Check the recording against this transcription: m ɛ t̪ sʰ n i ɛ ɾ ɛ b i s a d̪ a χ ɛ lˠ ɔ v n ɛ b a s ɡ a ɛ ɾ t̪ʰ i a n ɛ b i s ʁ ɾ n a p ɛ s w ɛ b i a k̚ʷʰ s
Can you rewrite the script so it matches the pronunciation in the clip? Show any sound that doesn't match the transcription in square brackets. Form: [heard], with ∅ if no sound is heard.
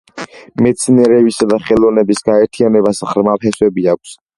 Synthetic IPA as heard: m ɛ t̪ sʰ n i ɛ ɾ ɛ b i s a d̪ a χ ɛ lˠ ɔ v n ɛ b [i] s ɡ a ɛ ɾ t̪ʰ i a n ɛ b [a] s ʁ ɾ [m] a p ɛ s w ɛ b i a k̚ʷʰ s

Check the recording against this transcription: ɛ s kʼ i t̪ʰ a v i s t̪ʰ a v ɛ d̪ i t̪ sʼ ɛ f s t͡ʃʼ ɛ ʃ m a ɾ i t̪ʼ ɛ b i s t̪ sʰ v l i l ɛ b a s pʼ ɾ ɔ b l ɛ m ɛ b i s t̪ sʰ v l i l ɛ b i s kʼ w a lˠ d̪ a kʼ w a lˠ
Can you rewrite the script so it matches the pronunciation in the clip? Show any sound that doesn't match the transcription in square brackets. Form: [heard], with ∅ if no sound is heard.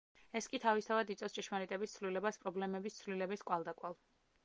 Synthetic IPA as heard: ɛ s kʼ i t̪ʰ a v i s t̪ʰ a v [a] d̪ i t̪ sʼ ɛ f s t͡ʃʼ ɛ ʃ m a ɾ i t̪ʼ ɛ b i s t̪ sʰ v l i l ɛ b a s pʼ ɾ ɔ b l ɛ m ɛ b i s t̪ sʰ v l i l ɛ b i s kʼ w a lˠ d̪ a kʼ w a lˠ

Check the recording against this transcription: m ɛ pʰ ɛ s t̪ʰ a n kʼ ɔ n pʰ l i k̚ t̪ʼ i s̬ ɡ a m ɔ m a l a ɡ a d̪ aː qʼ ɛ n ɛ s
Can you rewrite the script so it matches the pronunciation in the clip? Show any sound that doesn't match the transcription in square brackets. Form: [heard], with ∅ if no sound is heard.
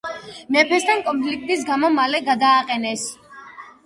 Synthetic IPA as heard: m ɛ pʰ ɛ s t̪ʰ a n kʼ ɔ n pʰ l i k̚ t̪ʼ i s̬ ɡ a m ɔ m a l [ɛ] ɡ a d̪ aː qʼ ɛ n ɛ s

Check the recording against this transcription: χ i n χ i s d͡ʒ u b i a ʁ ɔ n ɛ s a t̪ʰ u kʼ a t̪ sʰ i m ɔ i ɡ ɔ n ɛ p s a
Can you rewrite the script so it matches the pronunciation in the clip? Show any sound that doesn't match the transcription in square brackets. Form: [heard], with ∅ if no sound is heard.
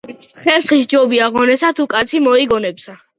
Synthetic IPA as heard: χ [ɛ] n χ i s d͡ʒ [ɔ] b i a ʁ ɔ n ɛ s a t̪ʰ u kʼ a t̪ sʰ i m ɔ i ɡ ɔ n ɛ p s a

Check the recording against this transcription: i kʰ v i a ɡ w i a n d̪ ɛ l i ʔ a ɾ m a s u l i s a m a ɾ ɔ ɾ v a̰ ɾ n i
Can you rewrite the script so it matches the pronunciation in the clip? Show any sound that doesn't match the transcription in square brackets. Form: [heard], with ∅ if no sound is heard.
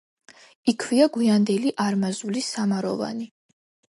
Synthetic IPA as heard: i kʰ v i a ɡ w i a n d̪ ɛ l i ʔ a ɾ m a [z] u l i s a m a ɾ ɔ [∅] v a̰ [∅] n i

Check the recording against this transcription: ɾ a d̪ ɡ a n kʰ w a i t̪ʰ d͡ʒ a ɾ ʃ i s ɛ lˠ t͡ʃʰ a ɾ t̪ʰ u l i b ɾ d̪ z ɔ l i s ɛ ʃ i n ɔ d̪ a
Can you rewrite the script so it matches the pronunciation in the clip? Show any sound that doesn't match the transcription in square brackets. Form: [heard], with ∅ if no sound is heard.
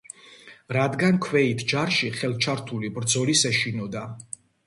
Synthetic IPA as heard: ɾ a d̪ ɡ a n kʰ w [ɛ] i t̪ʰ d͡ʒ a ɾ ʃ i [χ] ɛ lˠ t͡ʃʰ a ɾ t̪ʰ u l i b ɾ d̪ z ɔ l i s ɛ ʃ i n ɔ d̪ a

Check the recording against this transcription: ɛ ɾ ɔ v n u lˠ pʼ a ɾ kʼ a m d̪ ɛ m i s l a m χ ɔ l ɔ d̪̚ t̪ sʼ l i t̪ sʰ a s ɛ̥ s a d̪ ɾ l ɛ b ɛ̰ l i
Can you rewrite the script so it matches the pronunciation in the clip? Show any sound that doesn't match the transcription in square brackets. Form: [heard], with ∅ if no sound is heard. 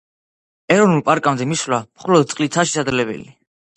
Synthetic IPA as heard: ɛ ɾ ɔ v n u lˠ pʼ a ɾ kʼ a m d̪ ɛ m i s l a m χ ɔ l ɔ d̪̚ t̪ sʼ l i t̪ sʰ a [ʃ] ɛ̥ s a d̪ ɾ l ɛ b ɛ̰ l i

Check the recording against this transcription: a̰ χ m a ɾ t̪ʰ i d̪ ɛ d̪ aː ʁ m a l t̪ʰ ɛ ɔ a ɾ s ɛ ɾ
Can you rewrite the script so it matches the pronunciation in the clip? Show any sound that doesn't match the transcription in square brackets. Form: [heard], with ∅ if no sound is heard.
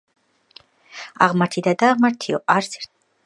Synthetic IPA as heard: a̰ [ʁ] m a ɾ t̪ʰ i d̪ [a] d̪ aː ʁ m a [ɾ] t̪ʰ [i] ɔ a ɾ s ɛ ɾ

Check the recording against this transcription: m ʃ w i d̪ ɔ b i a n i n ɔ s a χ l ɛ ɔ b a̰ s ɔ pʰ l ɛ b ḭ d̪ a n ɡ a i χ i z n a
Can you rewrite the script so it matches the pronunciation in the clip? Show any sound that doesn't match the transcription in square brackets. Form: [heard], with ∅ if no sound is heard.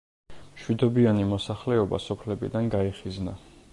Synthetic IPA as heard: m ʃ w i d̪ ɔ b i a n i [m] ɔ s a χ l ɛ ɔ b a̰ s ɔ pʰ l ɛ b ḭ d̪ a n ɡ a i χ i z n a

